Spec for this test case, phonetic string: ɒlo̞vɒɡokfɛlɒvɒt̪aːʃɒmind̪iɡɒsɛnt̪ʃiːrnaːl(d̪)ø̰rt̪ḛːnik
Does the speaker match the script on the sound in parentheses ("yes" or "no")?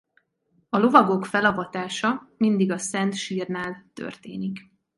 no